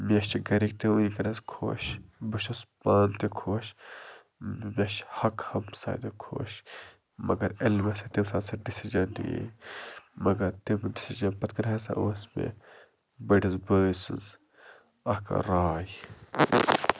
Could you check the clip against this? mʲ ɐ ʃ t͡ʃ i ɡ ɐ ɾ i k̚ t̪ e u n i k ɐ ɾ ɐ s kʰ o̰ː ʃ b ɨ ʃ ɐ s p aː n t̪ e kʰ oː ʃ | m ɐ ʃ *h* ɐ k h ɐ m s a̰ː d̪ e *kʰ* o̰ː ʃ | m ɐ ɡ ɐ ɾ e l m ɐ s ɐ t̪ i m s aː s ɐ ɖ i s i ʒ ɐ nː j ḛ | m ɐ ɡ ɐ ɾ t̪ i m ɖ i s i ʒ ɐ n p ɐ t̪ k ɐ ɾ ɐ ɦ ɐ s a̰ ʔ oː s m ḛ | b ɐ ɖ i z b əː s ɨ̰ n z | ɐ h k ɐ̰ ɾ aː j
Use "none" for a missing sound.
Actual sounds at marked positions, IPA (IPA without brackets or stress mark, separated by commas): h, kʰ